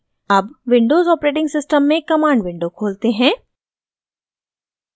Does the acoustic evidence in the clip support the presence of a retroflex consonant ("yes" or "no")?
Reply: yes